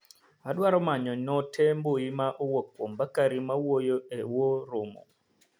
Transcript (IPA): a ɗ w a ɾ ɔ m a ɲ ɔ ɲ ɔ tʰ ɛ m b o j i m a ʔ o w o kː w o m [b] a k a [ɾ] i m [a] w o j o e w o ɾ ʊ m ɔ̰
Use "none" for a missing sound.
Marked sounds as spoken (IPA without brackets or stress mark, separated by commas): b, ɾ, a